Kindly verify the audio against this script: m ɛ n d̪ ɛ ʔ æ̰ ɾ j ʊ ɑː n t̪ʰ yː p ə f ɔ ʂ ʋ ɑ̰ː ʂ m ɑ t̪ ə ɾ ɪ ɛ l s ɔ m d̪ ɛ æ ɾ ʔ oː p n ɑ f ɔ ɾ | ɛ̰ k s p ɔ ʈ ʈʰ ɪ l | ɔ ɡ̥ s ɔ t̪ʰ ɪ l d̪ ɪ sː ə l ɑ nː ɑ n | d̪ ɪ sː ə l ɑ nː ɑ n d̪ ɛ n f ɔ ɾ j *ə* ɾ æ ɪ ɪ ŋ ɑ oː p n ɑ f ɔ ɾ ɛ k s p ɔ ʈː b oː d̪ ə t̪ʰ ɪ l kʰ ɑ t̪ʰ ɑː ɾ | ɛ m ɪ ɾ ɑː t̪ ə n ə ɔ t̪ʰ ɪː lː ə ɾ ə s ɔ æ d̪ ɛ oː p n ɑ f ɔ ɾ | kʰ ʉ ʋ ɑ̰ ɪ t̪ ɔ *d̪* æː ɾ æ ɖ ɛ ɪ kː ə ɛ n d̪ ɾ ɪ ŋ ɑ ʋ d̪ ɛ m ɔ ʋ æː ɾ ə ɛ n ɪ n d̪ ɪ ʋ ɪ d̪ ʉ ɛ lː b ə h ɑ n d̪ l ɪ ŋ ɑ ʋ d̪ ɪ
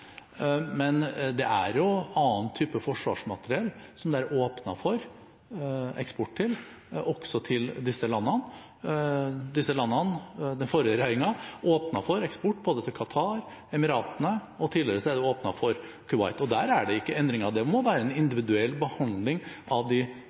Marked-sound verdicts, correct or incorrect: correct, correct

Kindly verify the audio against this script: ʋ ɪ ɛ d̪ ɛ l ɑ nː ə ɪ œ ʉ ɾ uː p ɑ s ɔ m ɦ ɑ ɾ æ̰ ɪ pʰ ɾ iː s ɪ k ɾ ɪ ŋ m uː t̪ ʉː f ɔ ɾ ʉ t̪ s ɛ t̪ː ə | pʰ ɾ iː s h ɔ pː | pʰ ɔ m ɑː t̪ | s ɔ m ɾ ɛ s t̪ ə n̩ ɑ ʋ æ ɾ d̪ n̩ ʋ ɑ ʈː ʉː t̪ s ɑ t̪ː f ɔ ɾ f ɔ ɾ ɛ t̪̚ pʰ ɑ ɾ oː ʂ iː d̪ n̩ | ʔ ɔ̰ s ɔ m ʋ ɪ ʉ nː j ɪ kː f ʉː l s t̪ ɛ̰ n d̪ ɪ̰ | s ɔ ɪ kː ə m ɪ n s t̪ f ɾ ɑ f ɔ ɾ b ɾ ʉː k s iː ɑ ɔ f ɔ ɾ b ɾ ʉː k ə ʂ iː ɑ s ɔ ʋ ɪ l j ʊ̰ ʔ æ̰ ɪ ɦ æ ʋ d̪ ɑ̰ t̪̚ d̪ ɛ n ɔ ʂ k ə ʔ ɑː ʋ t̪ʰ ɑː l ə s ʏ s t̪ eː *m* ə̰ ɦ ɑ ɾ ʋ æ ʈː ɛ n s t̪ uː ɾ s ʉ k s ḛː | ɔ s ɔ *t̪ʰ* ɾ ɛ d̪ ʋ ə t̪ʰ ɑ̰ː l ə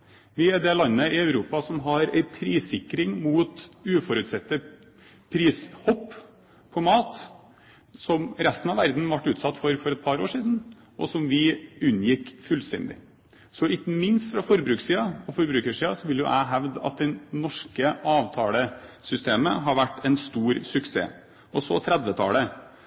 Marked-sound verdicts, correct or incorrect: correct, correct

